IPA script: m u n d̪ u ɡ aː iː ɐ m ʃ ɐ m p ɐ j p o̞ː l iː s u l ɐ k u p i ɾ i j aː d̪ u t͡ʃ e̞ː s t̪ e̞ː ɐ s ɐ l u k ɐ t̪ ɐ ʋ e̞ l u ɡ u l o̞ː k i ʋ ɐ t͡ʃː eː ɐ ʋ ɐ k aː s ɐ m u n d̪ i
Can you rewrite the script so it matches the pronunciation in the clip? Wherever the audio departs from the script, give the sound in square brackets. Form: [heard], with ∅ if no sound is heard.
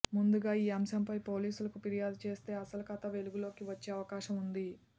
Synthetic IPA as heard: m u n d̪ u ɡ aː iː ɐ m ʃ ɐ m p ɐ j p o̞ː l iː s u l ɐ k u p i ɾ i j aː d̪ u t͡ʃ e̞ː s t̪ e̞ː ɐ s ɐ l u k ɐ t̪ ɐ ʋ e̞ l u ɡ u l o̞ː k i ʋ ɐ t͡ʃː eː ɐ ʋ ɐ k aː [ʃ] ɐ m u n d̪ i